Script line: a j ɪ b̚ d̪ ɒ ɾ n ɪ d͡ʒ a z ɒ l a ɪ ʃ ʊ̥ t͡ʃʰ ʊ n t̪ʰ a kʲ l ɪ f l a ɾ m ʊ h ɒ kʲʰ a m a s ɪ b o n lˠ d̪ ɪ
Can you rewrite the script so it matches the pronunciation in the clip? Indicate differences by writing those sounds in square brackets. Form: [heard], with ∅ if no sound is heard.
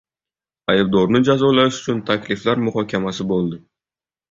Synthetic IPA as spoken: a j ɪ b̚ d̪ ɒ ɾ n ɪ d͡ʒ a z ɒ l a ɪ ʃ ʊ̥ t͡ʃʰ ʊ n t̪ʰ a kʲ l ɪ f l a ɾ m ʊ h ɒ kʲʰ a m a s ɪ b o [∅] lˠ d̪ ɪ